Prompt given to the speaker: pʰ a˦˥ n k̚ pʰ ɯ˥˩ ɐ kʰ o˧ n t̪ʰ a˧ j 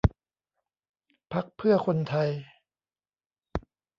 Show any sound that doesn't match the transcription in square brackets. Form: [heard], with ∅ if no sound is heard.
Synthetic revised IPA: pʰ a˦˥ [∅] k̚ pʰ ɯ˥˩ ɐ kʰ o˧ n t̪ʰ a˧ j